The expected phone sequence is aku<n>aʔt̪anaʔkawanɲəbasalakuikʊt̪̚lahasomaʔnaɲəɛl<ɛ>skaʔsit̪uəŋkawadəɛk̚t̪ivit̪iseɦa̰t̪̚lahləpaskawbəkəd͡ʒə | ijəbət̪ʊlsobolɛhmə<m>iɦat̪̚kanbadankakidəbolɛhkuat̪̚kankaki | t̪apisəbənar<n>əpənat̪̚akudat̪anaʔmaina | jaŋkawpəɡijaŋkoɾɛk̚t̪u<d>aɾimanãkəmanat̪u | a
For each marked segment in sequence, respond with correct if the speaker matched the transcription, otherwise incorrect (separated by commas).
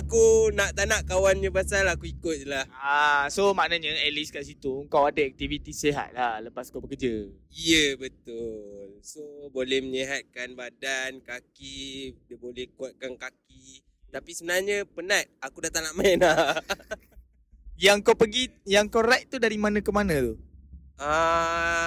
correct, incorrect, incorrect, incorrect, correct